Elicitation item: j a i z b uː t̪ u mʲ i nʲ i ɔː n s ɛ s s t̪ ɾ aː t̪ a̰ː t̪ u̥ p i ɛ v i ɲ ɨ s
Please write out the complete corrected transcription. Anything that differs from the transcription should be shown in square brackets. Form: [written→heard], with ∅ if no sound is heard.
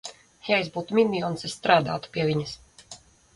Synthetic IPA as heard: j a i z b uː t̪ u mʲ i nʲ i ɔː n s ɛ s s t̪ ɾ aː [t̪→d̪] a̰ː t̪ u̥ p i ɛ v i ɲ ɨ s